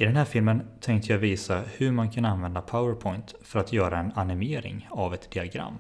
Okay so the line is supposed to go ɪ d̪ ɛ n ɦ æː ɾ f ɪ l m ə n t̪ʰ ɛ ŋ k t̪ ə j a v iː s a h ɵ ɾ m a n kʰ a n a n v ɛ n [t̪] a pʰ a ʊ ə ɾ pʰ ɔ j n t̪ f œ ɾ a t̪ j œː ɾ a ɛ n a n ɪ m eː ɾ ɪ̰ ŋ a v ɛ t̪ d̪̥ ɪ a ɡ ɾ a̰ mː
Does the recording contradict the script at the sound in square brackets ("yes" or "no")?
yes